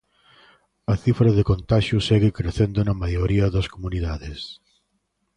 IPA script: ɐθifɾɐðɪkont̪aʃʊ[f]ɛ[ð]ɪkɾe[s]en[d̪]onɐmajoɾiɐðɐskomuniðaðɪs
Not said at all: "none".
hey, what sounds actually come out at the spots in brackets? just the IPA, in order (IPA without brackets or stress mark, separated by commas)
s, ɣ, θ, d̪